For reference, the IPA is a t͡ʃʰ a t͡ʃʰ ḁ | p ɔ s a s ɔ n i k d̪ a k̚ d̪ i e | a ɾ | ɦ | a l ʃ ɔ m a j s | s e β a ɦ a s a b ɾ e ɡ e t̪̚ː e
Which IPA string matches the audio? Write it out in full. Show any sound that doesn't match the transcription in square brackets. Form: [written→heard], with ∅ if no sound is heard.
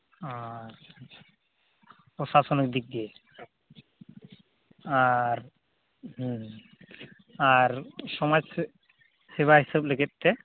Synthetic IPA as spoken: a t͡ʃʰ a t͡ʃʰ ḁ | p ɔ s a s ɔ n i k d̪ [a→i] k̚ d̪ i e | a ɾ | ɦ | a [l→ɾ] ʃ ɔ m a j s | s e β a ɦ [a→i] s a b [ɾ→l] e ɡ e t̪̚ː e